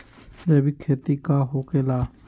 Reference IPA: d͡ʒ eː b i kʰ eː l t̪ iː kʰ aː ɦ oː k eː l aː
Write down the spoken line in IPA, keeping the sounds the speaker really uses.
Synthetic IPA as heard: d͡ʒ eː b i kʰ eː t̪ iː k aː ɦ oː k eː l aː